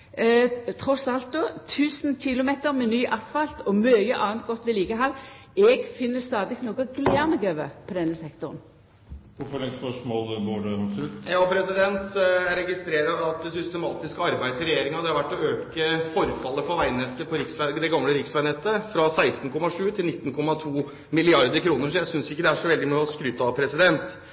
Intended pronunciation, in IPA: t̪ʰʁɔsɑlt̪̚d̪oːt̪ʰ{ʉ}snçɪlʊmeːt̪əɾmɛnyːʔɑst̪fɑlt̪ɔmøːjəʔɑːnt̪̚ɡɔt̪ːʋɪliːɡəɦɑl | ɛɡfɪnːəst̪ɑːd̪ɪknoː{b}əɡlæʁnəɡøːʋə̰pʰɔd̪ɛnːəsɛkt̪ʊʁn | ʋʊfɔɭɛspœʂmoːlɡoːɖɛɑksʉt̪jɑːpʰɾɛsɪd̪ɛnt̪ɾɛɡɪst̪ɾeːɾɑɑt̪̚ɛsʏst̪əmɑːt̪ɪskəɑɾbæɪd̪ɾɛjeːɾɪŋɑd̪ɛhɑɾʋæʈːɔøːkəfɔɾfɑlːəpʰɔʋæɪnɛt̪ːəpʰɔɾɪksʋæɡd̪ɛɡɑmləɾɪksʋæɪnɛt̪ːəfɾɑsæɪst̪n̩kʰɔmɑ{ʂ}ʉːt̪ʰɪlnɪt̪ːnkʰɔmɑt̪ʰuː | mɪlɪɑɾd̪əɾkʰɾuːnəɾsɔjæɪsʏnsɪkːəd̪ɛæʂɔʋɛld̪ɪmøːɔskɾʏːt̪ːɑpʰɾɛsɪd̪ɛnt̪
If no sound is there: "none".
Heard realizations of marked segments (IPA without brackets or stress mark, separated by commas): ʉː, ɡ, ʂ